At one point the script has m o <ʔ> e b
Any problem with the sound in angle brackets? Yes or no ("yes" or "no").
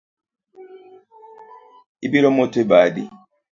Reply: yes